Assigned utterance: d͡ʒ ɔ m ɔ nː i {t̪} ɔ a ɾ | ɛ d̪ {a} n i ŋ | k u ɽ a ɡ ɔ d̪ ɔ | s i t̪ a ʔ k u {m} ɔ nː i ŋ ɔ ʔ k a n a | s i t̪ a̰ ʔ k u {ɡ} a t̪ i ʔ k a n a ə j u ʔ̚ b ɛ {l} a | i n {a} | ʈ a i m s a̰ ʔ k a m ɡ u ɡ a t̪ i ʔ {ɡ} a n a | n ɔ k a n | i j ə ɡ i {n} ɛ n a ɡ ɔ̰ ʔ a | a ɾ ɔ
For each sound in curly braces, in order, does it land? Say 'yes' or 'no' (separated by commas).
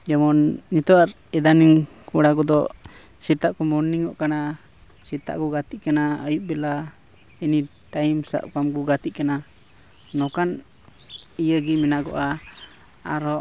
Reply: yes, yes, yes, yes, yes, no, no, no